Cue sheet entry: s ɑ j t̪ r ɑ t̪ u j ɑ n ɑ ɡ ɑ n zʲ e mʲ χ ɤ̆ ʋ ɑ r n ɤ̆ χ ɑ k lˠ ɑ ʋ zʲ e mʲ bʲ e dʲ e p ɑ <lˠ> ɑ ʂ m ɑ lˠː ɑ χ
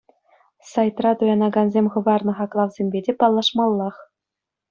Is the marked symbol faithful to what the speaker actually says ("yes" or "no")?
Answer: no